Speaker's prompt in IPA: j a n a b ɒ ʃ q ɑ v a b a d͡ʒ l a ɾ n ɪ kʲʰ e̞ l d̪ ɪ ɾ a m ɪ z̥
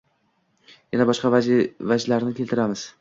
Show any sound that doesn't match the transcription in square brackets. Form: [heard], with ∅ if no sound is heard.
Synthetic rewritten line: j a n a b ɒ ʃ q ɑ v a [v] a d͡ʒ l a ɾ n ɪ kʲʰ e̞ l [t̪] ɪ ɾ a m ɪ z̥